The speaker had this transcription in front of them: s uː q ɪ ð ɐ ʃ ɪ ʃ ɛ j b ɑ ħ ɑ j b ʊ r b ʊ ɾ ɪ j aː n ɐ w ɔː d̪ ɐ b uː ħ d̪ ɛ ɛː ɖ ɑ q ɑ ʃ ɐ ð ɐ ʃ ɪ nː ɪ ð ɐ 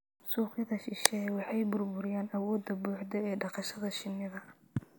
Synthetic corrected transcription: s uː q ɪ ð ɐ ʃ ɪ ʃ ɛ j w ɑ ħ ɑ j b ʊ r b ʊ ɾ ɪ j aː n ɐ w ɔː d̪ ɐ b uː ħ d̪ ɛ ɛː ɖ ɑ q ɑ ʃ ɐ ð ɐ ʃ ɪ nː ɪ ð ɐ